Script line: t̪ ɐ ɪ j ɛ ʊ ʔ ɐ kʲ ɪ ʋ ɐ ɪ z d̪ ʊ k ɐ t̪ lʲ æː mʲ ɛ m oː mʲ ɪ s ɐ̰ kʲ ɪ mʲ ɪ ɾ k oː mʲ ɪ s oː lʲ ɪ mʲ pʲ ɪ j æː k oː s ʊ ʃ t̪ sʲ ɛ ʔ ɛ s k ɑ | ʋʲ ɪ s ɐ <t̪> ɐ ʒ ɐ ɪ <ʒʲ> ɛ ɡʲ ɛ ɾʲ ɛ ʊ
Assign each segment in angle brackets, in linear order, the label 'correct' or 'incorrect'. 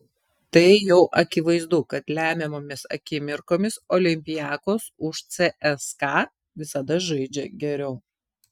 incorrect: d̪, incorrect: d͡ʒʲ

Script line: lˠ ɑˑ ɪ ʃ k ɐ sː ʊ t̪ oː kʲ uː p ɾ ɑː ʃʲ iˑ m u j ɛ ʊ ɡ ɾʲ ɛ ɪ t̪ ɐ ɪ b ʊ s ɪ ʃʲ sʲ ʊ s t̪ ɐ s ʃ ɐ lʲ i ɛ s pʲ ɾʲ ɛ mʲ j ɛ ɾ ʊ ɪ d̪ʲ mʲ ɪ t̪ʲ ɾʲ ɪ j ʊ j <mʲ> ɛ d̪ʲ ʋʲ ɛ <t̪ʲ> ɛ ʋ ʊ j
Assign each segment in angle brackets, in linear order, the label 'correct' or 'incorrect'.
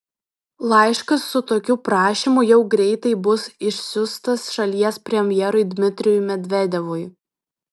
correct, incorrect: d̪ʲ

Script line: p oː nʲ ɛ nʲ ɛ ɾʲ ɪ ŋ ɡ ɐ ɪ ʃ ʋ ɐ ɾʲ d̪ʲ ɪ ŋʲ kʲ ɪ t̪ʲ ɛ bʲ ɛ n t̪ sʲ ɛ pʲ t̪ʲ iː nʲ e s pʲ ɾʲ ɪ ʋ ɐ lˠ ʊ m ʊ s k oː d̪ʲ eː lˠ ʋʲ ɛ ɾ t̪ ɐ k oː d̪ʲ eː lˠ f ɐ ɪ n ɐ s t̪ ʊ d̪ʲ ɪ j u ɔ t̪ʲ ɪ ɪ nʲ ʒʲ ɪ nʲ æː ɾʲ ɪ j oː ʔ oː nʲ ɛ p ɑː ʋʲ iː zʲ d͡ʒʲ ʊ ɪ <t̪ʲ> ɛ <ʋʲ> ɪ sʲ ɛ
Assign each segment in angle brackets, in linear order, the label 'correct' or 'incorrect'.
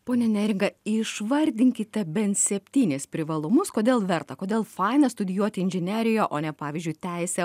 correct, incorrect: none

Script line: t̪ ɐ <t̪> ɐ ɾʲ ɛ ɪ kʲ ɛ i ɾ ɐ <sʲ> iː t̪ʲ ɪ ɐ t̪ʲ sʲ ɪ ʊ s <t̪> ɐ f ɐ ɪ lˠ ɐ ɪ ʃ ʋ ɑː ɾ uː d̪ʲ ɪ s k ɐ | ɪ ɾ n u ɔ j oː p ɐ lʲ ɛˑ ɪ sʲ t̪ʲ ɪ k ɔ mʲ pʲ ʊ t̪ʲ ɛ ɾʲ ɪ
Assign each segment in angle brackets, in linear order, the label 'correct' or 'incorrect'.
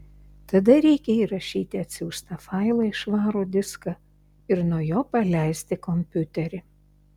incorrect: d̪, incorrect: ʃʲ, correct

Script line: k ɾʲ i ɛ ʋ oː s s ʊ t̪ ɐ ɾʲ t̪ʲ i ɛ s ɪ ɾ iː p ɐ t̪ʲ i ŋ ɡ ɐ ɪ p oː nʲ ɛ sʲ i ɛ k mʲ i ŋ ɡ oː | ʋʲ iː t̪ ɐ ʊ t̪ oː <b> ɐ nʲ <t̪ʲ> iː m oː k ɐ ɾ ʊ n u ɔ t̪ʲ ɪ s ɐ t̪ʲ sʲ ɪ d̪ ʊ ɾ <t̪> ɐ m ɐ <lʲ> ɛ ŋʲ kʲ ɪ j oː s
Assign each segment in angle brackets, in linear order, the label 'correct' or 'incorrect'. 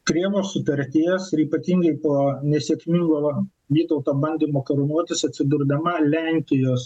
correct, incorrect: d̪ʲ, incorrect: d̪, correct

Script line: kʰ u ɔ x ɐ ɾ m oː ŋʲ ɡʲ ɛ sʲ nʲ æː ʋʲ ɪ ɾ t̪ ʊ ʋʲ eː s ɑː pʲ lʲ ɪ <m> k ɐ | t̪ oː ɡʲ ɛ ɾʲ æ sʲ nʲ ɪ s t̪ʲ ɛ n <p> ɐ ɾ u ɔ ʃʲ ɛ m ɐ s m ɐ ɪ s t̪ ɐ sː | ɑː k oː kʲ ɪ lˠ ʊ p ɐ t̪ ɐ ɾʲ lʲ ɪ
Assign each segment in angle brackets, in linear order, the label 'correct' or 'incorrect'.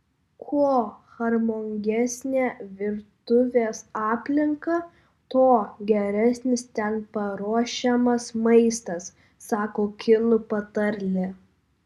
incorrect: ŋ, correct

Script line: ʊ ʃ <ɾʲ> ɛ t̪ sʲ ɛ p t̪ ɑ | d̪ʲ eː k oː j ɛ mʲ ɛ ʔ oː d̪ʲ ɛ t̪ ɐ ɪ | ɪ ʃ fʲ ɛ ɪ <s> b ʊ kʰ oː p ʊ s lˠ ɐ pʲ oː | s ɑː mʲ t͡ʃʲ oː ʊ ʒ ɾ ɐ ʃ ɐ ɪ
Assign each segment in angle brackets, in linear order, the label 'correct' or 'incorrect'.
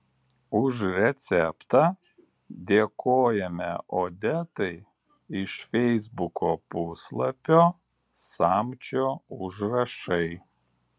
correct, incorrect: z

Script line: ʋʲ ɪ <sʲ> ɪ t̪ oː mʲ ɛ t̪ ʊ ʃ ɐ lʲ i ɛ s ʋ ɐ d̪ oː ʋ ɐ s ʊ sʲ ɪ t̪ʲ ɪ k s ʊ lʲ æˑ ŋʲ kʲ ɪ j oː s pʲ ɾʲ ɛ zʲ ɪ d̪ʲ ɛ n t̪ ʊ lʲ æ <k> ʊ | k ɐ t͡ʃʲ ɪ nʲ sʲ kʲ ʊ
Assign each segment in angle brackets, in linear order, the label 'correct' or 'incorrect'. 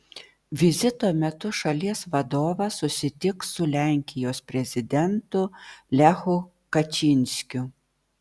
incorrect: zʲ, incorrect: x

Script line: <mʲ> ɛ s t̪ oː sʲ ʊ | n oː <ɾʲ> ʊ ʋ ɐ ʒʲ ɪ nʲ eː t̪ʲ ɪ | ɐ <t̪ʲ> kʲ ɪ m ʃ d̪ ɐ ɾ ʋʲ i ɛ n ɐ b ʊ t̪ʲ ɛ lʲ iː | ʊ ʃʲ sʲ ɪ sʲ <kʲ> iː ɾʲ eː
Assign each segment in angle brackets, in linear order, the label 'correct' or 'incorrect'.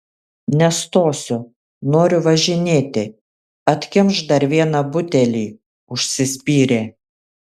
incorrect: nʲ, correct, correct, incorrect: pʲ

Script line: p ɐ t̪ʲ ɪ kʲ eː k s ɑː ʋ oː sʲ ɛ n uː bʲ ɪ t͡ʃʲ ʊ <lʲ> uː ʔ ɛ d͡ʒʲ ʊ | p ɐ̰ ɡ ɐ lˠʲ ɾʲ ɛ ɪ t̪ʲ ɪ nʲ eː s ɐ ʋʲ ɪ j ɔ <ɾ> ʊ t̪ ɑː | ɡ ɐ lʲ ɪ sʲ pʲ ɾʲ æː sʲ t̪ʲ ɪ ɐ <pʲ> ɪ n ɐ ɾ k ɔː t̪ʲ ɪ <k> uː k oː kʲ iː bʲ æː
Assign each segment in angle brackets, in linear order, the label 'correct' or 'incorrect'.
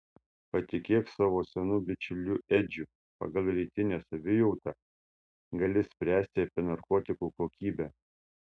correct, incorrect: none, correct, correct

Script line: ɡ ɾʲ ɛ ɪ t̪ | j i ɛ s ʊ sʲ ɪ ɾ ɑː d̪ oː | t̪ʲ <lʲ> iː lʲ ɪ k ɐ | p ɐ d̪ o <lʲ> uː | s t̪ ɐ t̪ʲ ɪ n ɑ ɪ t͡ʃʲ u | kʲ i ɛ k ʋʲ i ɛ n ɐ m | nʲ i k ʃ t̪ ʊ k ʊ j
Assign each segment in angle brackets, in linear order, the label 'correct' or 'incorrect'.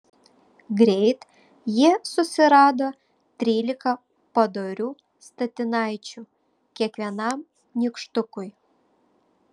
incorrect: ɾʲ, incorrect: ɾʲ

